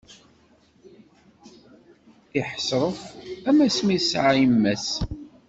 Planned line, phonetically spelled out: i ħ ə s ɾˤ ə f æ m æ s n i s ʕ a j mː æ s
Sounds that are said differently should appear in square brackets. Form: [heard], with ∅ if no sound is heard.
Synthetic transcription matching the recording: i ħ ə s ɾˤ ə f æ m æ s [m] i s ʕ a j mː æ s